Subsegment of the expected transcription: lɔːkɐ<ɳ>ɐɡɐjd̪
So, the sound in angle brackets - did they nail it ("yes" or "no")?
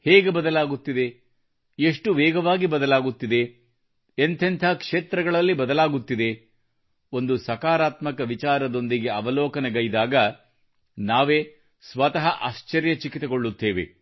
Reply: no